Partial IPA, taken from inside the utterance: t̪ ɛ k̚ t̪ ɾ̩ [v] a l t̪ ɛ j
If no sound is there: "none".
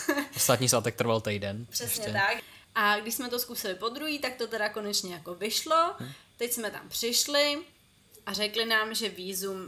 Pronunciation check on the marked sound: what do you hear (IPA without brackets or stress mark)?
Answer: v